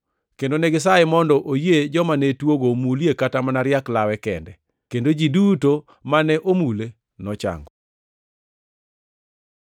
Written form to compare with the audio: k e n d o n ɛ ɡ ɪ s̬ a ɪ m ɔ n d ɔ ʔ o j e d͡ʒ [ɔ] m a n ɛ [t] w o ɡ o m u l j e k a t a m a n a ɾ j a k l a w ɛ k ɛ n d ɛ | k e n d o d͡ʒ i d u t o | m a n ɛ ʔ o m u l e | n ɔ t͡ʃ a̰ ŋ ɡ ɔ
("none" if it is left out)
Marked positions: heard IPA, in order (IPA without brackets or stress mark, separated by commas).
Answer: ɔ, t